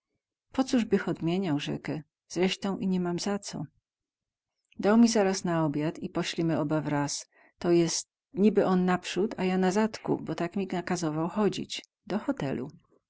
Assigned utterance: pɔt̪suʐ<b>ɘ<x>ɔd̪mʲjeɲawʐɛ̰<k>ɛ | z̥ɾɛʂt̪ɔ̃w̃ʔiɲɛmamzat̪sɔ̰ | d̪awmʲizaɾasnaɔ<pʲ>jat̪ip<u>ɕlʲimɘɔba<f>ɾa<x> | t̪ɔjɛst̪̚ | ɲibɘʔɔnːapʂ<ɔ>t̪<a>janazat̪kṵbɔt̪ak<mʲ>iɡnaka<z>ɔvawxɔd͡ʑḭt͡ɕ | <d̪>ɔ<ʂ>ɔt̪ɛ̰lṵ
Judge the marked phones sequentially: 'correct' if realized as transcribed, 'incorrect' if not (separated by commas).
correct, correct, correct, incorrect, incorrect, incorrect, incorrect, incorrect, correct, correct, correct, correct, incorrect